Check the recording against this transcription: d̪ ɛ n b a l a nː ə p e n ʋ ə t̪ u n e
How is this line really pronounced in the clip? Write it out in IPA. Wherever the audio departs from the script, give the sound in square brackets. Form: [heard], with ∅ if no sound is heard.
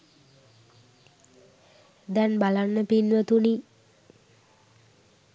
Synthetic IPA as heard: d̪ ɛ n b a l a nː ə p [i] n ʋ ə t̪ u n [i]